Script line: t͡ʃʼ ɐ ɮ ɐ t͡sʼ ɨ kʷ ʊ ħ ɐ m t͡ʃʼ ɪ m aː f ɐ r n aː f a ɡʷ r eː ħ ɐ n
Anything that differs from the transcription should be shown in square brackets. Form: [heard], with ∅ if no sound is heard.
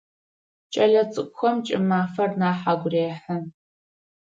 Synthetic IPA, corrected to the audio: t͡ʃʼ ɐ ɮ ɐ t͡sʼ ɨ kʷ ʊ [x] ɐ m t͡ʃʼ ɪ m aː f ɐ r n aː [ħ] a ɡʷ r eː ħ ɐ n